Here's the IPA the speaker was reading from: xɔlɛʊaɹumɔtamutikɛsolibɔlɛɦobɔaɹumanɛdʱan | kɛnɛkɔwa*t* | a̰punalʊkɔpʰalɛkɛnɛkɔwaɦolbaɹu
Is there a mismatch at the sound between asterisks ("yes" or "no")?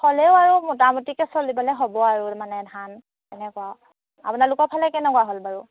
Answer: yes